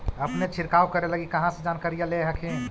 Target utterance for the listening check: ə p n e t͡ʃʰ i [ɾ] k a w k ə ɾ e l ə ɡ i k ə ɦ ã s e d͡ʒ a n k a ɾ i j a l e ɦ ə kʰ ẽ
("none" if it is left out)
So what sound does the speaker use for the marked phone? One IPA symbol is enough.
ɾ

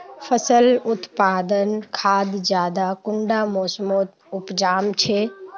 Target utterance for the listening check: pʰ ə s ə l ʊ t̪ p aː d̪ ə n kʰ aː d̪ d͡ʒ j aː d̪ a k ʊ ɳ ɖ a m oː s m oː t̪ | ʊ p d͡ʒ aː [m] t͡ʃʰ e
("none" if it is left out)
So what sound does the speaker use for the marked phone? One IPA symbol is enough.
m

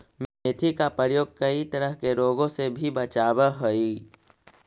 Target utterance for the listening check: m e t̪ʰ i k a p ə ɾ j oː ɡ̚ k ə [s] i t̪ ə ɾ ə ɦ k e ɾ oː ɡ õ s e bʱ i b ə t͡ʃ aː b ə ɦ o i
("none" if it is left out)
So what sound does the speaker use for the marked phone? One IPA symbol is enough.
none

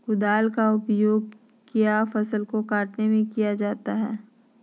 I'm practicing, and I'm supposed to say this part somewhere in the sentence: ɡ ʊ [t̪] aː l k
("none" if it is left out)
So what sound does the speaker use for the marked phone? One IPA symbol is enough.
d̪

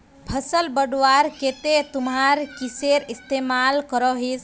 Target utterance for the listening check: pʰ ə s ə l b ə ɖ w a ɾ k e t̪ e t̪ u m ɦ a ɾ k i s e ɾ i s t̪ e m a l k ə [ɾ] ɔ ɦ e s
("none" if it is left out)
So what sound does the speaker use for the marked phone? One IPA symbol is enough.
ɾ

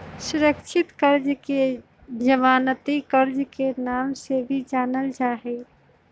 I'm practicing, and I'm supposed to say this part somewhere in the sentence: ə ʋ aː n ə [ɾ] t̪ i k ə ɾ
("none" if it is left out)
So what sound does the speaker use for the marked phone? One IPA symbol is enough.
none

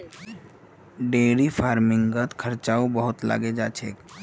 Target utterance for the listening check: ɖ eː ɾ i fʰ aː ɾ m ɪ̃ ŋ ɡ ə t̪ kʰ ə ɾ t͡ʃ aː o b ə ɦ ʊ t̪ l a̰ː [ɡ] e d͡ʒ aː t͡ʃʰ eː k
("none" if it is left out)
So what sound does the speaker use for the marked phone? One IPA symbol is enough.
ɡ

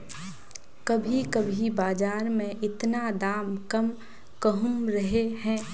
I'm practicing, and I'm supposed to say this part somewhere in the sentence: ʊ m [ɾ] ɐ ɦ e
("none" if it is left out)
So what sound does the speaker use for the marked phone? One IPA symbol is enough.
ɾ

